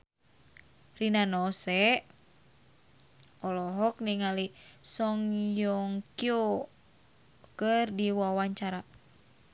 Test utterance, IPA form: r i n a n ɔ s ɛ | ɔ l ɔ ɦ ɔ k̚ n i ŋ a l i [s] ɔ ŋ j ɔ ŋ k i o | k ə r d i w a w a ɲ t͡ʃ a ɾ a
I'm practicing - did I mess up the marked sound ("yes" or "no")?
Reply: no